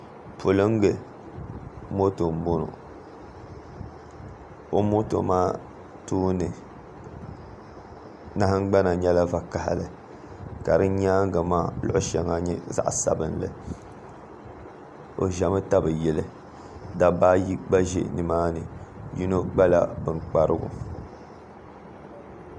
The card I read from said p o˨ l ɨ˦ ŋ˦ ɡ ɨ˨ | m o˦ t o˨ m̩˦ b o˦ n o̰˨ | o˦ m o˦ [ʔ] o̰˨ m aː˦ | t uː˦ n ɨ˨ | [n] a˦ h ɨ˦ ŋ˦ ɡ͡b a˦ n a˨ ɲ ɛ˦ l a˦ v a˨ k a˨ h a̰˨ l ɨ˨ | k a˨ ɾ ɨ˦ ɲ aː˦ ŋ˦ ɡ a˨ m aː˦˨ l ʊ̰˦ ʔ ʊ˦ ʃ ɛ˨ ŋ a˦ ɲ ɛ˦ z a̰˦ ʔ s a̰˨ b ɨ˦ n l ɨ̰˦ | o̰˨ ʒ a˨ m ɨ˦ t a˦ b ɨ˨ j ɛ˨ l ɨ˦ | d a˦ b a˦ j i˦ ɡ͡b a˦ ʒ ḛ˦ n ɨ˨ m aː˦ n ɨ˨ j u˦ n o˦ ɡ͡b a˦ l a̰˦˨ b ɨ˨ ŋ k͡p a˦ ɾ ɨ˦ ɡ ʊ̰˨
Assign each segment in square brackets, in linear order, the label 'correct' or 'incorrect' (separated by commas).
incorrect, correct